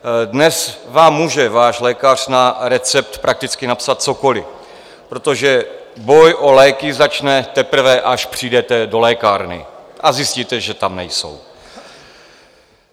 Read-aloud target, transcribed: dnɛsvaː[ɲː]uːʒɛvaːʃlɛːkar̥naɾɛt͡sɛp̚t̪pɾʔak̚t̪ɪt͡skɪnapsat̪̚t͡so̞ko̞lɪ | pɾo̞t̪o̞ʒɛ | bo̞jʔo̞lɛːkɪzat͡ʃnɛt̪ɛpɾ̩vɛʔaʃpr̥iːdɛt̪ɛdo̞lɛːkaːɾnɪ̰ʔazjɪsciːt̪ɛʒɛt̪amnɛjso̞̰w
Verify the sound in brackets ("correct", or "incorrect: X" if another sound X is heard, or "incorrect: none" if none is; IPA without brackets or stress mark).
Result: incorrect: mː